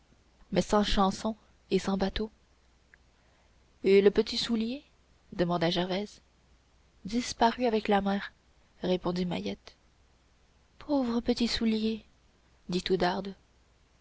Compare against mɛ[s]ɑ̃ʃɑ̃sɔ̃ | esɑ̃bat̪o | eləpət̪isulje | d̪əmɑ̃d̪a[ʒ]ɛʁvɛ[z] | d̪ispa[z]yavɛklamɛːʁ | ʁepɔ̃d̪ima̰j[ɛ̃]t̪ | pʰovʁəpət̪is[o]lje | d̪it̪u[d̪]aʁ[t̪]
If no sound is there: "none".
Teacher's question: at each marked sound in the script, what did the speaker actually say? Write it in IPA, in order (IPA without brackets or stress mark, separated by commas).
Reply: s, ʒ, z, ʁ, ɛ, u, d̪, d̪